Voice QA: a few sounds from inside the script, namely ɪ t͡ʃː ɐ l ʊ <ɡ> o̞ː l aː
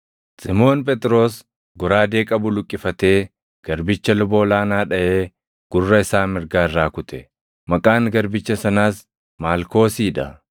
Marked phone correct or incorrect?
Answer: incorrect